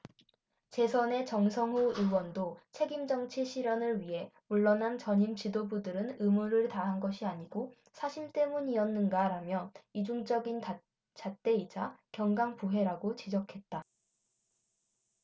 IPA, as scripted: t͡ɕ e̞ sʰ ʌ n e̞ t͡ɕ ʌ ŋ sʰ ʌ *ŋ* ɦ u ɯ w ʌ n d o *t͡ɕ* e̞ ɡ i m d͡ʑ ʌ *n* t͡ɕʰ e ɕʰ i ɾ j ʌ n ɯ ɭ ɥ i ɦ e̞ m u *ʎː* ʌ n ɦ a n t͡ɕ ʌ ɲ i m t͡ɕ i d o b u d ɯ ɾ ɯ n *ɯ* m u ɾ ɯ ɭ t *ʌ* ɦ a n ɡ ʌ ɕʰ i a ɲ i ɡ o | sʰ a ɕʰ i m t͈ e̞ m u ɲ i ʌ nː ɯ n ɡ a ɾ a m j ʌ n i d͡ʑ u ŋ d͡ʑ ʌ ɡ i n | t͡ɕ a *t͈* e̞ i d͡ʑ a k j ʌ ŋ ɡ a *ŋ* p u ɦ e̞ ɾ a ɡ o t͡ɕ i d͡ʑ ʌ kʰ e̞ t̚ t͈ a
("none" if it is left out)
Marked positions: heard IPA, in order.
ŋ, t͡ɕʰ, ŋ, ɭː, ɯ, a, t͈, ŋ

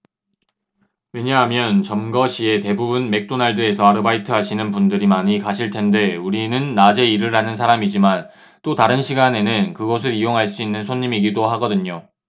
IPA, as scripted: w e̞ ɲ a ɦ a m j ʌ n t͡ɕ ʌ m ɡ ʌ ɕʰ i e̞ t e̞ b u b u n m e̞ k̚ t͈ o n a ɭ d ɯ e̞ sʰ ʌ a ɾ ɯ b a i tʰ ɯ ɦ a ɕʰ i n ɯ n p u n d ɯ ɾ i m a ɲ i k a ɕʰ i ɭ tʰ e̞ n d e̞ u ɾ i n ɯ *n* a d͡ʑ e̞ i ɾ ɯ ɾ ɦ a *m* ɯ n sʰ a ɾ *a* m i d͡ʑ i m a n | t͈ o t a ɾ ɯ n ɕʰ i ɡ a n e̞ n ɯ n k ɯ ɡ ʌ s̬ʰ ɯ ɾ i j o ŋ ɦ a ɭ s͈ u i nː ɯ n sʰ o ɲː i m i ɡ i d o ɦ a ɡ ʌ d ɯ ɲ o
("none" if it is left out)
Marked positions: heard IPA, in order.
nː, n, a

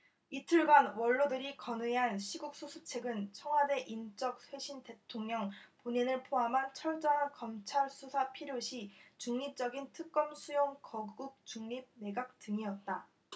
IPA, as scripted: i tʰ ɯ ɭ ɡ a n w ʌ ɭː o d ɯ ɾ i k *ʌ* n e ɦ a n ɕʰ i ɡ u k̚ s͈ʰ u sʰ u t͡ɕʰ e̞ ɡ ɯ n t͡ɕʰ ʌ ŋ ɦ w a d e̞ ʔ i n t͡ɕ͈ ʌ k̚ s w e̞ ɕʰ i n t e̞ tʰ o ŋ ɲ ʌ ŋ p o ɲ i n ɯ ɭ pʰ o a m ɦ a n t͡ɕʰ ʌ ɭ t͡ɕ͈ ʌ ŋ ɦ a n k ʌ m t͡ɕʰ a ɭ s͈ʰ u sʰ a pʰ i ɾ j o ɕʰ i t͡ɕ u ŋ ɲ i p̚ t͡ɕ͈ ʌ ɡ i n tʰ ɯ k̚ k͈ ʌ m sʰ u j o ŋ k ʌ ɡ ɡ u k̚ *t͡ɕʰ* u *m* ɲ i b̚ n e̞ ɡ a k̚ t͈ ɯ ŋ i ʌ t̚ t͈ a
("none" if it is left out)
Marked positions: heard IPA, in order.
ʌ, t͡ɕ, ŋ

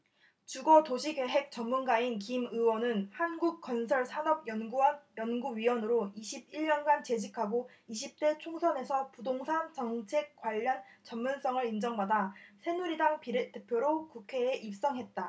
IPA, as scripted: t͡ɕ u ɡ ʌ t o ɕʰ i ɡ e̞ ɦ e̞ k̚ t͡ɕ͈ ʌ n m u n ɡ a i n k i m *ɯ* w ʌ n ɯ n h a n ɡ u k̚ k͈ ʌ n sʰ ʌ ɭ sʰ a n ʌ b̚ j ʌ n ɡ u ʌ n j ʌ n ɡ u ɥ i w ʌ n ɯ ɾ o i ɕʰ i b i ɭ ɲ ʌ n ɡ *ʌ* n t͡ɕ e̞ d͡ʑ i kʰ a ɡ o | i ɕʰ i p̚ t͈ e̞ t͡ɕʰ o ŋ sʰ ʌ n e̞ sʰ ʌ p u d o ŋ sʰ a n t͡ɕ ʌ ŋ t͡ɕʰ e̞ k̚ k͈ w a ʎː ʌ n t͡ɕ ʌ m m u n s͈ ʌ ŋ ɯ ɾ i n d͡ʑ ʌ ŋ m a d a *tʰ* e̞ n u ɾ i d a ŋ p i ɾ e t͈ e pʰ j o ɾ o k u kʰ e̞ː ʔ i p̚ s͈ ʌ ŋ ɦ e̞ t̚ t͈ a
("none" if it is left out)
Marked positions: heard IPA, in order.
ɯ, a, sʰ

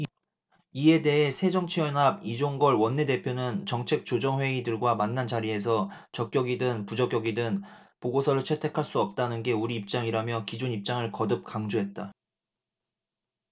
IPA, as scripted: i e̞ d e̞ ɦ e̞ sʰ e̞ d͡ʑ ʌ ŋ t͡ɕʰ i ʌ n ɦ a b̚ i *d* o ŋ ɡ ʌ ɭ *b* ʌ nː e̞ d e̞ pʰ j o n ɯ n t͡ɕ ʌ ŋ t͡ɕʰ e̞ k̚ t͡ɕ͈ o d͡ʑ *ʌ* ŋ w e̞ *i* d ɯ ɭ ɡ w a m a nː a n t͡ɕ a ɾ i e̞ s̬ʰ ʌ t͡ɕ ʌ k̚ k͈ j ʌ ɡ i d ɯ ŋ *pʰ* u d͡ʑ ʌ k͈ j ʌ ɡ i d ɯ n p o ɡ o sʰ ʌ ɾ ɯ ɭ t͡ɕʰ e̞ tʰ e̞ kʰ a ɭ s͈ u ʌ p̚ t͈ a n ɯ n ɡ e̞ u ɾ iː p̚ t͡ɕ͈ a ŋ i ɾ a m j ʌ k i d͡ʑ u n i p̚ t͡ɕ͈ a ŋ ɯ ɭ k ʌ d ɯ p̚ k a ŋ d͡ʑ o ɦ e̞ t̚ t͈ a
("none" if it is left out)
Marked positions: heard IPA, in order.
d͡ʑ, w, ʌ, i, p

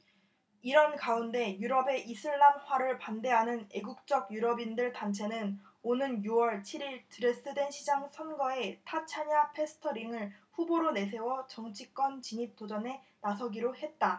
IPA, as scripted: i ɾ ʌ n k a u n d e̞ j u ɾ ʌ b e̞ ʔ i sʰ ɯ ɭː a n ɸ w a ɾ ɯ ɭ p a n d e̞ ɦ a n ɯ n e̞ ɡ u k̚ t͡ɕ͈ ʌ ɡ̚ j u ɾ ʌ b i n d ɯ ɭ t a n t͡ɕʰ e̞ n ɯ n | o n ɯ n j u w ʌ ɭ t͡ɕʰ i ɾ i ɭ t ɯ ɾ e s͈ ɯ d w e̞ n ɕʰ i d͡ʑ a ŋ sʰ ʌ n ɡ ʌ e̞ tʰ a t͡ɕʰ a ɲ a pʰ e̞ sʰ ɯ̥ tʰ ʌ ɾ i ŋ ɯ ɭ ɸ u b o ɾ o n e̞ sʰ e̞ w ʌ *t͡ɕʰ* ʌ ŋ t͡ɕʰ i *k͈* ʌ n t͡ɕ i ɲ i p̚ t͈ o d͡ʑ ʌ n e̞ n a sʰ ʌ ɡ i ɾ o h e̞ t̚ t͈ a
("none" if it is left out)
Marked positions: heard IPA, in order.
t͡ɕ, k͈

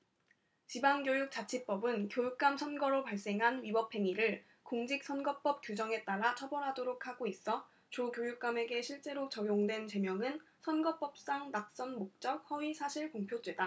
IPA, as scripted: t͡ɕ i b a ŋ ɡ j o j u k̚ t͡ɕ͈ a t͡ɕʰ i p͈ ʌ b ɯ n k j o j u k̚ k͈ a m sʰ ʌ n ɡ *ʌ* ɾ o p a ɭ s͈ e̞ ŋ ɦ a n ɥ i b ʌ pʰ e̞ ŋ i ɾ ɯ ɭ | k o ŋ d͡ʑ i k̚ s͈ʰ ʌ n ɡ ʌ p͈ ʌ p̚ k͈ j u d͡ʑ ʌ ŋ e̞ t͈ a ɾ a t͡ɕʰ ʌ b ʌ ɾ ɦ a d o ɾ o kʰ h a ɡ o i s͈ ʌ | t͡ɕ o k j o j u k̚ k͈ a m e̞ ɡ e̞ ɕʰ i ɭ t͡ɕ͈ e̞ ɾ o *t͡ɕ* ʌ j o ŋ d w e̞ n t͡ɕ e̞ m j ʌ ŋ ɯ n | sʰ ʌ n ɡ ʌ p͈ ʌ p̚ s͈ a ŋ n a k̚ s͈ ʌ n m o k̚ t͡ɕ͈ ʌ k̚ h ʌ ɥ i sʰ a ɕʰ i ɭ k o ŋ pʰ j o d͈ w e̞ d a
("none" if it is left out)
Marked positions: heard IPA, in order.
ʌ, t͡ɕ

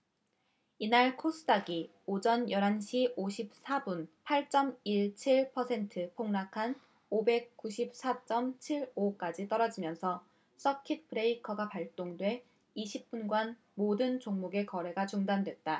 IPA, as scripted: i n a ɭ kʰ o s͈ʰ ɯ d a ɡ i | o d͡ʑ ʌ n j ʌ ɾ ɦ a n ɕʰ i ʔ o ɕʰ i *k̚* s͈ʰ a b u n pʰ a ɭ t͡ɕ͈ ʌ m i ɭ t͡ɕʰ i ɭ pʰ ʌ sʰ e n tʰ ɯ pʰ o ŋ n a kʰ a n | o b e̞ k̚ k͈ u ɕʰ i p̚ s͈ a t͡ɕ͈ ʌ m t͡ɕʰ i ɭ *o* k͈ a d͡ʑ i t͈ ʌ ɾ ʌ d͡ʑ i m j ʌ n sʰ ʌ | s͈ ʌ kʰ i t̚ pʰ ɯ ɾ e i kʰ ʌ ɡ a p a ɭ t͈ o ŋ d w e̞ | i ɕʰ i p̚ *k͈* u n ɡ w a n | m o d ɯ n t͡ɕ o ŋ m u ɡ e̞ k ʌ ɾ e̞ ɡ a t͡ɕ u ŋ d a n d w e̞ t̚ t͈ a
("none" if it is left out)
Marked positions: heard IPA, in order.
p̚, o, p͈

